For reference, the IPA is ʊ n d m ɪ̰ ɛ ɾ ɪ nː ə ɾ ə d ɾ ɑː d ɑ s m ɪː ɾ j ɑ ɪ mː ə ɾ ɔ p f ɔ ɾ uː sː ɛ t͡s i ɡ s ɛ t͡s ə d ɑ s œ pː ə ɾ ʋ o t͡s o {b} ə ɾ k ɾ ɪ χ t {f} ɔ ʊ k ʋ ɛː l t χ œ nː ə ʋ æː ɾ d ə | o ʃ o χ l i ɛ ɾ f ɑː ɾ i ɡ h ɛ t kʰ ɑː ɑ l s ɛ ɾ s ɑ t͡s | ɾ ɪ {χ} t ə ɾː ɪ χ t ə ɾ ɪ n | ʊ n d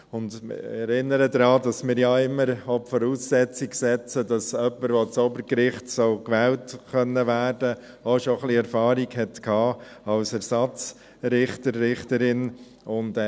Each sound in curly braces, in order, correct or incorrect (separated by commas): correct, incorrect, correct